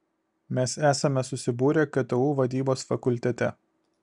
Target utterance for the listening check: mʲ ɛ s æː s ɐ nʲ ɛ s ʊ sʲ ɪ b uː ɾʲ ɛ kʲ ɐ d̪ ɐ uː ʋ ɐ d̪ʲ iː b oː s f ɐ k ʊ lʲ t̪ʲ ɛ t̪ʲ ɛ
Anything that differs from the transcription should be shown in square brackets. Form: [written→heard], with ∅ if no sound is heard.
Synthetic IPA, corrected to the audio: mʲ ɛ s æː s ɐ [nʲ→mʲ] ɛ s ʊ sʲ ɪ b uː ɾʲ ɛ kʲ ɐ [d̪→t̪] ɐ uː ʋ ɐ d̪ʲ iː b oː s f ɐ k ʊ lʲ t̪ʲ ɛ t̪ʲ ɛ